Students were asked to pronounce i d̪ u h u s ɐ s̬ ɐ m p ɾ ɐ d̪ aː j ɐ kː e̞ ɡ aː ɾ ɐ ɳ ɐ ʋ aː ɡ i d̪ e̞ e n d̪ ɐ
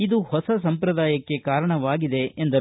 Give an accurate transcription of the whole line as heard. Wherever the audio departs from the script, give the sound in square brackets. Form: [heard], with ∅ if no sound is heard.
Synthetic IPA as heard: i d̪ u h [ɔ] s ɐ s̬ ɐ m p ɾ ɐ d̪ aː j ɐ kː e̞ [k] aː ɾ ɐ ɳ ɐ ʋ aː ɡ i d̪ e̞ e n d̪ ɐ